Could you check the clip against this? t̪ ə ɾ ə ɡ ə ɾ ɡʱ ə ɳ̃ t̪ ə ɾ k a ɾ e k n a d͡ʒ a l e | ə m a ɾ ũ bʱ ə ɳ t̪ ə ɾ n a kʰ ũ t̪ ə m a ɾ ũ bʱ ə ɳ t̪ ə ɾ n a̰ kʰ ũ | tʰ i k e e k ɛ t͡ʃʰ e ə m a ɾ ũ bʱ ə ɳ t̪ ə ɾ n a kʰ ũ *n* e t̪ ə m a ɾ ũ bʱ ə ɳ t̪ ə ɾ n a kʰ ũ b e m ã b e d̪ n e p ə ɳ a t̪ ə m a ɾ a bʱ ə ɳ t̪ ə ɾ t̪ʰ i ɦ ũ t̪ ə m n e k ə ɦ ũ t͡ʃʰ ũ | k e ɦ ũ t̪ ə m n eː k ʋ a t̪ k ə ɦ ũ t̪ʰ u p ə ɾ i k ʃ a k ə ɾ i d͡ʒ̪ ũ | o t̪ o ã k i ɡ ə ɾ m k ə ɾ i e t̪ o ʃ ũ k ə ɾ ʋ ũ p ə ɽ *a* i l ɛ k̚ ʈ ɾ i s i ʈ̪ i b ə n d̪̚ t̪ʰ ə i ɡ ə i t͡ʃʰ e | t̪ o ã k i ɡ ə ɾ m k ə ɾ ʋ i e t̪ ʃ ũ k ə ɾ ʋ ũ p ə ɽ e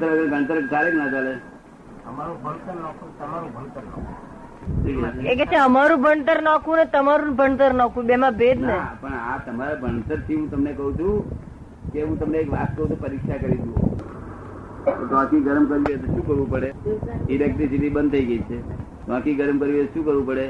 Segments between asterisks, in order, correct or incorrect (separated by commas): correct, incorrect